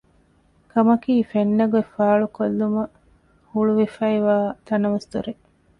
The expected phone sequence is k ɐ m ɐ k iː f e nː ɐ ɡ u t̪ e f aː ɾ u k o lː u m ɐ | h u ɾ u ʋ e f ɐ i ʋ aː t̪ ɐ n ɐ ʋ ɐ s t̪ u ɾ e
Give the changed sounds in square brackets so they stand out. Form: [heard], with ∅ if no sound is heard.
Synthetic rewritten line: k ɐ m ɐ k iː f e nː ɐ ɡ u [∅] e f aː [ɭ] u k o lː u m ɐ | h u [ɭ] u ʋ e f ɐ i ʋ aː t̪ ɐ n ɐ ʋ ɐ s t̪ u ɾ e